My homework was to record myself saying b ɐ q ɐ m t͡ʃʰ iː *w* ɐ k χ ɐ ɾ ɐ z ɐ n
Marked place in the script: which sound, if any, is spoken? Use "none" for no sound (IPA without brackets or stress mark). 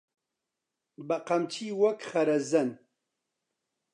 w